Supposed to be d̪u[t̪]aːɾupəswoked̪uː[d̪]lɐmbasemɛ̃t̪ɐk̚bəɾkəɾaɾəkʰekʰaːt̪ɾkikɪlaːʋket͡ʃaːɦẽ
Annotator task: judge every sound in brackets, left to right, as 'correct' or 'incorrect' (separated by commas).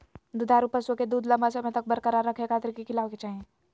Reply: incorrect, correct